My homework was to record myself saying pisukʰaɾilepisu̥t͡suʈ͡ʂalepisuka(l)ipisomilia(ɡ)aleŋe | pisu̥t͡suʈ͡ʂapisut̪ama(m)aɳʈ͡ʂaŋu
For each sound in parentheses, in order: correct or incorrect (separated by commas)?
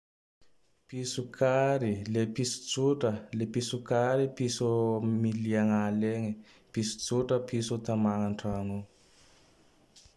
incorrect, incorrect, incorrect